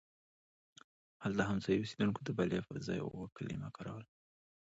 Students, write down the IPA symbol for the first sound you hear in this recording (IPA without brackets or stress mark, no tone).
h